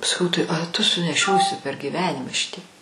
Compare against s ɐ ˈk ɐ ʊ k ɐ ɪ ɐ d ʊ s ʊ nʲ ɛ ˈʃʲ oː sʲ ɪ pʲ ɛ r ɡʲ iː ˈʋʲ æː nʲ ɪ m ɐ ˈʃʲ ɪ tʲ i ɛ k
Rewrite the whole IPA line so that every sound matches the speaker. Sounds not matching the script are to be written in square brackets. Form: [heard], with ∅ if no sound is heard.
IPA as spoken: s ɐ ˈk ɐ ʊ [t] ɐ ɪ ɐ [t] ʊ s ʊ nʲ ɛ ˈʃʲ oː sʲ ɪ pʲ ɛ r ɡʲ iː ˈʋʲ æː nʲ ɪ m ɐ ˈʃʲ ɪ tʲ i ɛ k